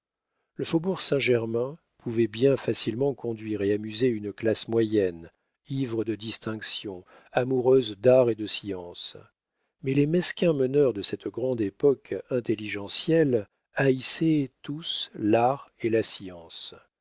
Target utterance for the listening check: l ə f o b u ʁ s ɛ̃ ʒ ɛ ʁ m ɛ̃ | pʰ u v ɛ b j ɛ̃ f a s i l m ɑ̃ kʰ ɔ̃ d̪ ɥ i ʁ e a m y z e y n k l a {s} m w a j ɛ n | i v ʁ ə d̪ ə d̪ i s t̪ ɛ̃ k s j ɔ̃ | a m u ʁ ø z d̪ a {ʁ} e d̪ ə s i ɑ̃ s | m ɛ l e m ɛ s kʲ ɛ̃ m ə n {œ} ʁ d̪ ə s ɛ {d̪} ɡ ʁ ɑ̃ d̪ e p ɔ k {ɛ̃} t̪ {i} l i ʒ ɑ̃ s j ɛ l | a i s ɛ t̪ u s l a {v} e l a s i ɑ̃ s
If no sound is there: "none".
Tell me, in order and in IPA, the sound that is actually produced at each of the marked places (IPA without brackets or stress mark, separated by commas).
s, ʁ, œ, t̪, ɛ̃, e, ʁ